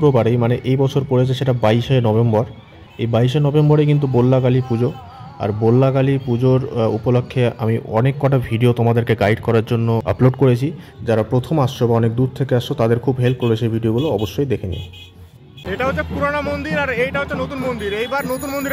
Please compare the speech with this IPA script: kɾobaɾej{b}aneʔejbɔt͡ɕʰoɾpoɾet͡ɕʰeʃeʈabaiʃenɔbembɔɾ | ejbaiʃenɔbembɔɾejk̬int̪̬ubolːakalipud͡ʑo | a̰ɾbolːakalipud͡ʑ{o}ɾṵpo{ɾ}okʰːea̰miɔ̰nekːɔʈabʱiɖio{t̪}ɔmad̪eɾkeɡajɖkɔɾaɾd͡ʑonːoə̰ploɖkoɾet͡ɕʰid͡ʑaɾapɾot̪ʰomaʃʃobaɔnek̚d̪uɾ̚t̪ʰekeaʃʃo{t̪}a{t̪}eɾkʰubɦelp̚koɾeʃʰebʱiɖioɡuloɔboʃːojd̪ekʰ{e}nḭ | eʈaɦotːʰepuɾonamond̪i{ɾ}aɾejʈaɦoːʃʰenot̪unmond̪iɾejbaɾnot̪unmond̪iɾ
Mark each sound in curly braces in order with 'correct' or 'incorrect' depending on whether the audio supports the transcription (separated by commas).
incorrect, correct, incorrect, correct, correct, incorrect, correct, correct